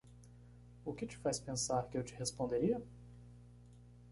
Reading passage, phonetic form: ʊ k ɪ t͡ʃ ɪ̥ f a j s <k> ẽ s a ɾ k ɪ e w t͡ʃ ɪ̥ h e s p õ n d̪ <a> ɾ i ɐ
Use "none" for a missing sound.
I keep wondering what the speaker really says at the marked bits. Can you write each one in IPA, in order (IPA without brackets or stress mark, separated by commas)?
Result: p, e